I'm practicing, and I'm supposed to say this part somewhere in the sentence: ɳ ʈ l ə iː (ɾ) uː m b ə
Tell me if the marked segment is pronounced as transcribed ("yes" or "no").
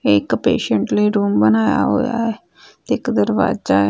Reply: yes